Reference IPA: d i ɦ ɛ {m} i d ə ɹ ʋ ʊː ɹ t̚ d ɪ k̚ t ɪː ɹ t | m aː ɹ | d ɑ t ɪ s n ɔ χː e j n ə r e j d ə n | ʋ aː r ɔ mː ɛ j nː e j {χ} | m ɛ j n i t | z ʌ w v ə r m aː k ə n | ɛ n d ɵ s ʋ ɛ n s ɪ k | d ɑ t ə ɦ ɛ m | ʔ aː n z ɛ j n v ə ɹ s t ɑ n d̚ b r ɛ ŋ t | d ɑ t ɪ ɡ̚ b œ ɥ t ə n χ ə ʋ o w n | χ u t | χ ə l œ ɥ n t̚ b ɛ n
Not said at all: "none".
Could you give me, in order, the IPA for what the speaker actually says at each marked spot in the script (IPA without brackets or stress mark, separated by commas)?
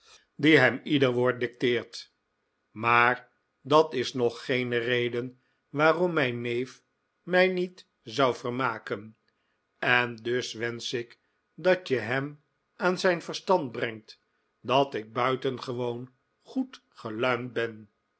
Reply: m, f